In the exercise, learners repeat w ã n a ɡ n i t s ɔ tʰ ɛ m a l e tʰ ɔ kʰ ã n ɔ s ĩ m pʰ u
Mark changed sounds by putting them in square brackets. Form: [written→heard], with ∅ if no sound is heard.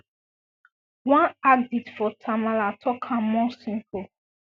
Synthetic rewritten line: w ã n a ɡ [n→d] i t [s→f] ɔ tʰ [ɛ→a] m a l [e→a] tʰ ɔ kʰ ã [n→m] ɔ s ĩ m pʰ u